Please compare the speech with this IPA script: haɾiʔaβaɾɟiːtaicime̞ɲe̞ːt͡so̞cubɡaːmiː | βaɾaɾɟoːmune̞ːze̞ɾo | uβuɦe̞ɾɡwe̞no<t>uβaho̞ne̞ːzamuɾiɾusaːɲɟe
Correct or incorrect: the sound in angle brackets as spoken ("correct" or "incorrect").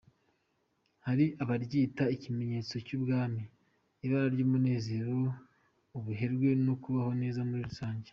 incorrect